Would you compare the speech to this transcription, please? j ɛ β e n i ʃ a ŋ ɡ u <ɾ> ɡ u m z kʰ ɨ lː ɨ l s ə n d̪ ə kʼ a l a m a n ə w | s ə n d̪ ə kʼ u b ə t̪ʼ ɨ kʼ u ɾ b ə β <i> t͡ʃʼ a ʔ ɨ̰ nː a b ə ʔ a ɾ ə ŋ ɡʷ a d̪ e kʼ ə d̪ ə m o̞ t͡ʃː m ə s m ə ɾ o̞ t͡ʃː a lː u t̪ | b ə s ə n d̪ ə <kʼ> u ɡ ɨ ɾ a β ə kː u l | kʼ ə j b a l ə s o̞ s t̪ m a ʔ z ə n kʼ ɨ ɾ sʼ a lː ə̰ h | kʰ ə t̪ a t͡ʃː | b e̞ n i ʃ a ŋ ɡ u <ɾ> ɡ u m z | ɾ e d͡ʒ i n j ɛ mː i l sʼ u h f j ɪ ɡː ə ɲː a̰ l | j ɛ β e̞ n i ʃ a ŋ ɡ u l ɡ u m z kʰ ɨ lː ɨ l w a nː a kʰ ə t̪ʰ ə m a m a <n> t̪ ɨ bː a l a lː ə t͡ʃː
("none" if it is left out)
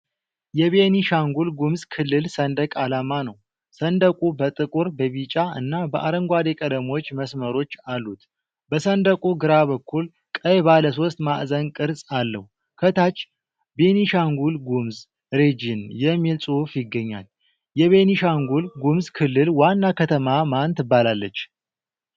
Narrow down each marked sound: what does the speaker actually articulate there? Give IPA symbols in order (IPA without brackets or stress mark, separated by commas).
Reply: l, i, kʼ, l, n